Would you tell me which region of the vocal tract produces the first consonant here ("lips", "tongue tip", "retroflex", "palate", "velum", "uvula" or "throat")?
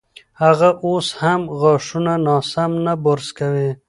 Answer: throat